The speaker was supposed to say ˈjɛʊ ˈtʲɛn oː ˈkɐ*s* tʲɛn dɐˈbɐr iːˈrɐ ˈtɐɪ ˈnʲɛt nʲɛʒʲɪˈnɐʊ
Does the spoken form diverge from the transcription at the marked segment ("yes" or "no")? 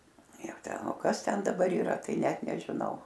no